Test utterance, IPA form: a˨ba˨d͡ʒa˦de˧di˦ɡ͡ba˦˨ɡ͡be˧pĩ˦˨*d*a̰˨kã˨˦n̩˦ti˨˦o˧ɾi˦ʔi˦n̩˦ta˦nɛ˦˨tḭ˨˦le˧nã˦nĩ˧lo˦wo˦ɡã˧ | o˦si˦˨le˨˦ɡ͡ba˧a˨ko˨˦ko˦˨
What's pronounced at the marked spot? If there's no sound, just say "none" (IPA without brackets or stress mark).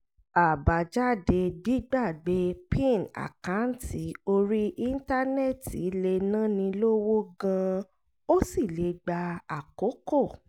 n